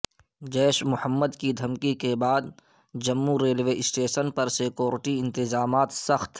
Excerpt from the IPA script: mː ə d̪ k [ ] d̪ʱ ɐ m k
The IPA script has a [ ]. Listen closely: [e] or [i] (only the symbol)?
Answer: i